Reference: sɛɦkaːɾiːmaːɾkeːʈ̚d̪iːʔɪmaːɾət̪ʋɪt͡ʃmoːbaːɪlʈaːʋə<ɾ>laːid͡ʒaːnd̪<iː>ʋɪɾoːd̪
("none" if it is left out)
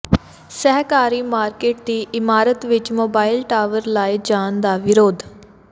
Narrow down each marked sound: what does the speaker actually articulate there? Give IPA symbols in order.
ɾ, aː

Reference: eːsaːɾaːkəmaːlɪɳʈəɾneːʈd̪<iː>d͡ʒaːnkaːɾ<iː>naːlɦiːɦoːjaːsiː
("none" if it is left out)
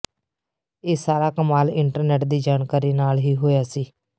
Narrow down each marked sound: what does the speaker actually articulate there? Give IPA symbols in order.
iː, iː

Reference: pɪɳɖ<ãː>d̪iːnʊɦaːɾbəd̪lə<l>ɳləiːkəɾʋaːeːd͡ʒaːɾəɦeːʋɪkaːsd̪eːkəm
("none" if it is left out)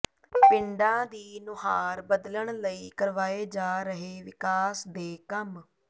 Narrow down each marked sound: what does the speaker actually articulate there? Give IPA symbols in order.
ãː, none

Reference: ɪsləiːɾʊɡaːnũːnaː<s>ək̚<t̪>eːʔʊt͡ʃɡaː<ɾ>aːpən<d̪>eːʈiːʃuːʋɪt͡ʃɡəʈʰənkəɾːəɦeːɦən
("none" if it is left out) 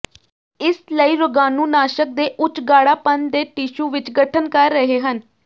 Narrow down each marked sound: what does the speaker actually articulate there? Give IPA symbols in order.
ʃ, d̪, ɽ, d̪

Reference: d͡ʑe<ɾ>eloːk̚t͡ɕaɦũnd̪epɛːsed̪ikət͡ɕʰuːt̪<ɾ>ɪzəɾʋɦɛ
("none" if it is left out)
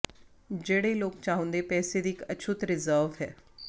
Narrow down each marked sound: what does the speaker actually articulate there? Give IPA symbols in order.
ɽ, ɾ

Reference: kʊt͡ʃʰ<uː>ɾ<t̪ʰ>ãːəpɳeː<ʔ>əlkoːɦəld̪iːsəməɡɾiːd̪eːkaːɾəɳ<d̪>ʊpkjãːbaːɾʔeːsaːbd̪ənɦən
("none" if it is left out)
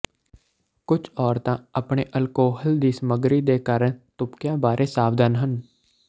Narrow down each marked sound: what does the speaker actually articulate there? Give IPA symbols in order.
ɔː, t̪, ʔ, t̪

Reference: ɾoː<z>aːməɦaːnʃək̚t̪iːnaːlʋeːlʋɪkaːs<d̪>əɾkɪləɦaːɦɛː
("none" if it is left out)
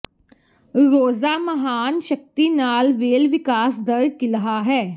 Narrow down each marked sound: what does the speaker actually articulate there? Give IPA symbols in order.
z, d̪

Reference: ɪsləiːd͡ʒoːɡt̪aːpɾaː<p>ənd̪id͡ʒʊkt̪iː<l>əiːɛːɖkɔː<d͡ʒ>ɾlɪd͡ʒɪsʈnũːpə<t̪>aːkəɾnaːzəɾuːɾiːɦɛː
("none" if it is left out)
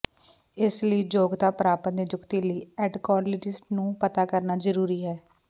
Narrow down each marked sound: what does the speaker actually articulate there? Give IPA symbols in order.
p, l, none, t̪

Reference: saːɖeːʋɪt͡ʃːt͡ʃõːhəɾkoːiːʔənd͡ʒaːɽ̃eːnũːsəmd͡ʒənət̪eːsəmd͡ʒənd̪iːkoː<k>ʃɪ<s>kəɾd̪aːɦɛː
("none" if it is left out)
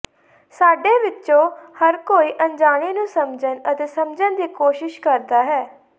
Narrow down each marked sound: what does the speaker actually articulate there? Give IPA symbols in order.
none, ʃ

